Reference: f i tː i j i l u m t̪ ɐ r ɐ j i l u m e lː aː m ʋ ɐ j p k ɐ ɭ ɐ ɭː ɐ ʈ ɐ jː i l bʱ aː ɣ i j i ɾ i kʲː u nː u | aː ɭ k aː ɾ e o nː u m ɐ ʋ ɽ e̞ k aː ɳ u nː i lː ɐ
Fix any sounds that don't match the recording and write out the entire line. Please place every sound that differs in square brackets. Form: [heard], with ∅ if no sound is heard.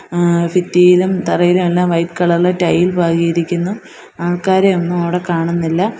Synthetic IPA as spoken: f i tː i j i l u m t̪ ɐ r ɐ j i l u m e lː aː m ʋ ɐ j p k ɐ ɭ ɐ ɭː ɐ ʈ ɐ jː i l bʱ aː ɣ i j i ɾ i kʲː u nː u | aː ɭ k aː ɾ e o nː u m ɐ ʋ ɽ e̞ k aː ɳ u nː i lː ɐ